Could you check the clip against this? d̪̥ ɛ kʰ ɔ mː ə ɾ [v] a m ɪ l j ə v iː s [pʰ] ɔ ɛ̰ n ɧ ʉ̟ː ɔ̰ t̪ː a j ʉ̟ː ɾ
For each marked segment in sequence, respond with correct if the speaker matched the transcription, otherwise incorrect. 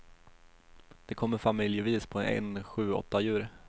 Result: incorrect, correct

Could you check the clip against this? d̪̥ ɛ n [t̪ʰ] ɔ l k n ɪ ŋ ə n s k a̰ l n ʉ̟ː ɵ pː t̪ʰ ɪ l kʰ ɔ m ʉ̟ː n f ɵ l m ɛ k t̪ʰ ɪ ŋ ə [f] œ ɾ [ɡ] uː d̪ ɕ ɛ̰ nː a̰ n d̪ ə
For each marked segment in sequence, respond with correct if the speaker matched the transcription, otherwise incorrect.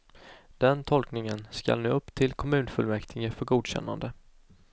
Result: correct, correct, correct

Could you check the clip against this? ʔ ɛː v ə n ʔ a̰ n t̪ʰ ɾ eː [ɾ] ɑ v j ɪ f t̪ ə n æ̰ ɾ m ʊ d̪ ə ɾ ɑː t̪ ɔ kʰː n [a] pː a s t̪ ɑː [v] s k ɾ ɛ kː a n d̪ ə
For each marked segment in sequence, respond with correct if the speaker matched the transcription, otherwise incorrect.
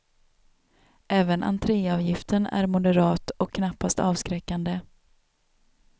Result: incorrect, correct, correct

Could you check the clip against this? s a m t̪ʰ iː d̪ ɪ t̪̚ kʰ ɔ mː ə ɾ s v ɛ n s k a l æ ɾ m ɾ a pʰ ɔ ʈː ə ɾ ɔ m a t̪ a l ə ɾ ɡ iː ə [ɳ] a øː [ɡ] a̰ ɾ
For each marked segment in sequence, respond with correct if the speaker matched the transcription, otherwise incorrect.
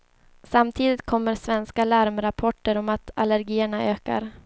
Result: correct, incorrect

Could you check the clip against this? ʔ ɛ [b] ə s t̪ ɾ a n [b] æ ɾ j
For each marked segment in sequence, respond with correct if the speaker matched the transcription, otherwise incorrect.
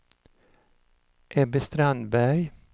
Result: correct, correct

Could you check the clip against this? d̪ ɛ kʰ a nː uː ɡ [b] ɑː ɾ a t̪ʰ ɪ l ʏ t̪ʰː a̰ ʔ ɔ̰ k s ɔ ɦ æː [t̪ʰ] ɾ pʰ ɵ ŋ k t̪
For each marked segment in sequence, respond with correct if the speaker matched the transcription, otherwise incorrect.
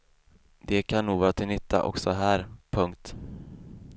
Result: incorrect, incorrect

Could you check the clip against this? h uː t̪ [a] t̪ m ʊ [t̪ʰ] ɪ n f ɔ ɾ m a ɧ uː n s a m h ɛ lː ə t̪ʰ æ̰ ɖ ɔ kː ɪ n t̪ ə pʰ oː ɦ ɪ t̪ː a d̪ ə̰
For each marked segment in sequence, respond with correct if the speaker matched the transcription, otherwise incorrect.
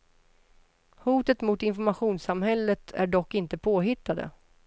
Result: incorrect, incorrect

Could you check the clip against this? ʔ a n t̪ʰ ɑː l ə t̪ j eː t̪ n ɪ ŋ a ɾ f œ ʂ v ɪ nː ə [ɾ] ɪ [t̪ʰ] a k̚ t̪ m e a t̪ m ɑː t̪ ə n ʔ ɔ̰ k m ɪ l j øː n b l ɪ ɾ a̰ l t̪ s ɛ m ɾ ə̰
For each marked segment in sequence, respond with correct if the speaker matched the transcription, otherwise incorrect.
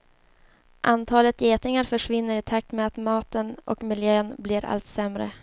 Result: correct, correct

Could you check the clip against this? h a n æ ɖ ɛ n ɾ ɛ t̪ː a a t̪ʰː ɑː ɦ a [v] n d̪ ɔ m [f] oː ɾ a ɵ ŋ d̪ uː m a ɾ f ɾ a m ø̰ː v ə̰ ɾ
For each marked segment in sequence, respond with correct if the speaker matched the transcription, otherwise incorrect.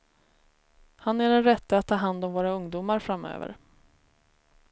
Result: incorrect, incorrect

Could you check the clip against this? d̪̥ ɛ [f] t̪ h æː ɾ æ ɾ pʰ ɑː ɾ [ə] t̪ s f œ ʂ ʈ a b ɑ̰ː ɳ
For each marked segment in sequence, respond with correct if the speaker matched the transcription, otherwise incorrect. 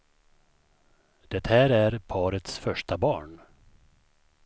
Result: incorrect, correct

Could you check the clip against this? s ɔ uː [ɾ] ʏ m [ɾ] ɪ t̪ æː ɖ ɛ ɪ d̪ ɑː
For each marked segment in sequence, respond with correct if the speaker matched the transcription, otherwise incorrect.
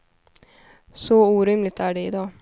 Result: correct, incorrect

